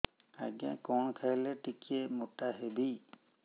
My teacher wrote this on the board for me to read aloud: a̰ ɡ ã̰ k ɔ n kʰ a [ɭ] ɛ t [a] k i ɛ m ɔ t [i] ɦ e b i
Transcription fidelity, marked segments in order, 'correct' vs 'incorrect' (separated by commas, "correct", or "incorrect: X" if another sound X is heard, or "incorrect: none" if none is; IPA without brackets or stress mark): incorrect: l, incorrect: i, incorrect: a